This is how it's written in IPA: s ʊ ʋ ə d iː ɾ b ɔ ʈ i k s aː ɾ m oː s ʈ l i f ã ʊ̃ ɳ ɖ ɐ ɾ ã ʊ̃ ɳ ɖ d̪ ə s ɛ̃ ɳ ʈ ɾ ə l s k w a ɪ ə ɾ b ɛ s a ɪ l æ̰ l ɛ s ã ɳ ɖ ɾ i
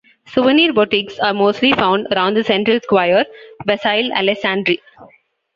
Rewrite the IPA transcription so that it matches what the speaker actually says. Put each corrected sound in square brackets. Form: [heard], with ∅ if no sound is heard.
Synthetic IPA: s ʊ ʋ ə [n] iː ɾ b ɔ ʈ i k s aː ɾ m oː s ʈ l i f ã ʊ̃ ɳ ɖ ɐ ɾ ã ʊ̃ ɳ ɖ d̪ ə s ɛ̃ ɳ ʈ ɾ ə l s k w a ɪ ə ɾ b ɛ s a ɪ l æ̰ l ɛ s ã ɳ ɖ ɾ i